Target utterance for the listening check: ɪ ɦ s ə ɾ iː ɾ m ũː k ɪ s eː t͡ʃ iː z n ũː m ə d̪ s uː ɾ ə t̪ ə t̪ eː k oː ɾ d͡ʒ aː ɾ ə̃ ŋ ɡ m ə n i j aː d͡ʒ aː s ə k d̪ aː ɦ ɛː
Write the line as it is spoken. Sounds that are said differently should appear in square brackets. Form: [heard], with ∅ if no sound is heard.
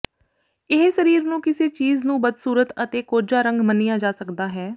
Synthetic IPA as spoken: ɪ ɦ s ə ɾ iː ɾ [n] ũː k ɪ s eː t͡ʃ iː z n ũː [b] ə d̪ s uː ɾ ə t̪ ə t̪ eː k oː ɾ d͡ʒ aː ɾ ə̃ ŋ ɡ m ə n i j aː d͡ʒ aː s ə k d̪ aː ɦ ɛː

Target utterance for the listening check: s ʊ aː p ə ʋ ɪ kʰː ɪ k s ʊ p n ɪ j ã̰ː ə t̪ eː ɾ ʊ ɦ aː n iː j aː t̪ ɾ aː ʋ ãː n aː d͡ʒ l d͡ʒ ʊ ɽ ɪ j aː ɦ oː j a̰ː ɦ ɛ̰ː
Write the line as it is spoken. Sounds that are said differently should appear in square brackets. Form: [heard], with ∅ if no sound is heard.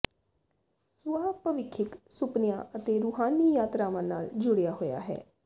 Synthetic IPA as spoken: s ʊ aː p ə ʋ ɪ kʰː ɪ k s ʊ p n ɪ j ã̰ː ə t̪ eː ɾ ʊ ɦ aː n iː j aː t̪ ɾ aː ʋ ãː n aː [∅] l d͡ʒ ʊ ɽ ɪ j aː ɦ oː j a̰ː ɦ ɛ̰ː

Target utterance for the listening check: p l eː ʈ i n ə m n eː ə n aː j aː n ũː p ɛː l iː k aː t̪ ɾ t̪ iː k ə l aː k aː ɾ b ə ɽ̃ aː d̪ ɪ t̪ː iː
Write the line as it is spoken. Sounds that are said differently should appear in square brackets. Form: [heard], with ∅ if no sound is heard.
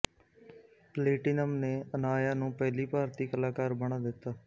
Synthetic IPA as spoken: p l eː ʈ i n ə m n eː ə n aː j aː n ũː p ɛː l iː [p] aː [∅] ɾ t̪ iː k ə l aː k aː ɾ b ə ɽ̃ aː d̪ ɪ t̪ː [aː]

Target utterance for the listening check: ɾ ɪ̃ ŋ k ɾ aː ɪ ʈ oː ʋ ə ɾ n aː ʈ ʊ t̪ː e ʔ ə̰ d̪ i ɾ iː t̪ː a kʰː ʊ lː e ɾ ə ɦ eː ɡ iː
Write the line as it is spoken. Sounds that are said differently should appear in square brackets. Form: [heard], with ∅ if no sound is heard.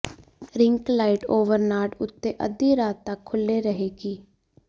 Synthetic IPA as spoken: ɾ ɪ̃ ŋ k [l] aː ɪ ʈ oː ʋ ə ɾ n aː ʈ ʊ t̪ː e ʔ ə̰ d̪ i ɾ [aː] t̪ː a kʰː ʊ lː e ɾ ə ɦ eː ɡ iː

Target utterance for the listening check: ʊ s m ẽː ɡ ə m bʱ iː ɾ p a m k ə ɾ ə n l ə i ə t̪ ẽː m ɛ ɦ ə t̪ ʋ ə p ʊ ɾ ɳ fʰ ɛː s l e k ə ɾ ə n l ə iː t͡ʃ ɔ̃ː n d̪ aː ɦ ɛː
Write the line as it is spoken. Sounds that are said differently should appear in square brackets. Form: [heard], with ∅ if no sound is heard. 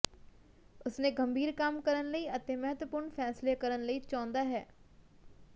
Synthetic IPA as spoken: ʊ s [n] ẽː ɡ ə m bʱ iː ɾ [k] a m k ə ɾ ə n l ə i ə t̪ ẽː m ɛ ɦ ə t̪ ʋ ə p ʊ ɾ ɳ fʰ ɛː s l e k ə ɾ ə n l ə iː t͡ʃ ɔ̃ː n d̪ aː ɦ ɛː

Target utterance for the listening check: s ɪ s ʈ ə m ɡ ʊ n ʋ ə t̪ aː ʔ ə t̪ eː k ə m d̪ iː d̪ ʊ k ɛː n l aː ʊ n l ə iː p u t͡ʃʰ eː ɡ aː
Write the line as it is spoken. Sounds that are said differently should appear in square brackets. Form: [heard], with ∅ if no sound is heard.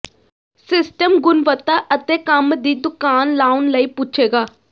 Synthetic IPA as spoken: s ɪ s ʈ ə m ɡ ʊ n ʋ ə t̪ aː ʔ ə t̪ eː k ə m d̪ iː d̪ ʊ k [aː] n l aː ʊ n l ə iː p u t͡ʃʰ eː ɡ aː

